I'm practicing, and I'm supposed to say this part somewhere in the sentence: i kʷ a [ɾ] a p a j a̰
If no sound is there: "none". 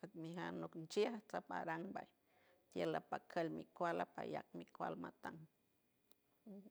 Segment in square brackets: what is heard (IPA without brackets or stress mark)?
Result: l